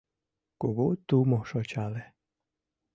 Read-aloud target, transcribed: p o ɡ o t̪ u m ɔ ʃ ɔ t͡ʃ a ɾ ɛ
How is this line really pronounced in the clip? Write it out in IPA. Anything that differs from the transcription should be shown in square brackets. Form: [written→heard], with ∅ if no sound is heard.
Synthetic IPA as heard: [p→k] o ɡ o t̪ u m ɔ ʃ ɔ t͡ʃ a [ɾ→l] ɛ